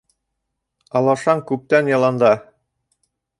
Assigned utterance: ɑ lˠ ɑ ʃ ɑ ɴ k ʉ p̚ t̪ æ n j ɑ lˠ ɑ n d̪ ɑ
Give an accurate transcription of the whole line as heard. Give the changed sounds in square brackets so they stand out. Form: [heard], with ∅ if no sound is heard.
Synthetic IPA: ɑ lˠ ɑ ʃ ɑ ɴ k ʉ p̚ t̪ æ n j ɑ lˠ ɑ n d̪ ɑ